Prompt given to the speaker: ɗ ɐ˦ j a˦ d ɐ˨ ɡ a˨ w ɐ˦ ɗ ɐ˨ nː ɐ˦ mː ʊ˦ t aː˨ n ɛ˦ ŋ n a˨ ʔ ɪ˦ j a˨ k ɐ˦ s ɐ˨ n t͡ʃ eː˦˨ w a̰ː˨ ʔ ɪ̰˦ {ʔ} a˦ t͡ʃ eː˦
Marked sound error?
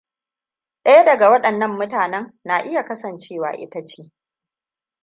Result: yes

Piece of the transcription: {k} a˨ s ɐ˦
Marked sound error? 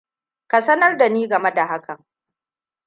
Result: no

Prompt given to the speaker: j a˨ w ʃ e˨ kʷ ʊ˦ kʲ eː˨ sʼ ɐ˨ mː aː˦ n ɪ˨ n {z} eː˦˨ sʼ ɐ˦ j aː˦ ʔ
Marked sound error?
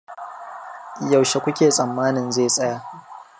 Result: no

